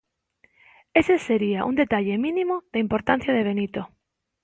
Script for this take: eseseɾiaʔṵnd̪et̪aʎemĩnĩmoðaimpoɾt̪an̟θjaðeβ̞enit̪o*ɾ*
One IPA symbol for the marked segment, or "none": none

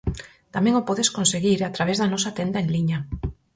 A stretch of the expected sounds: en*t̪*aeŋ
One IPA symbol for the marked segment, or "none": d̪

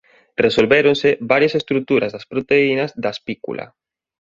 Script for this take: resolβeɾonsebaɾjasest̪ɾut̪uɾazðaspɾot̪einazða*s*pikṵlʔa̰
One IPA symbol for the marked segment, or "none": s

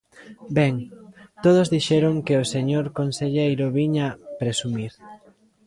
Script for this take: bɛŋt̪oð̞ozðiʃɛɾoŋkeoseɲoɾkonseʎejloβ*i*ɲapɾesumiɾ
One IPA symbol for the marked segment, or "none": i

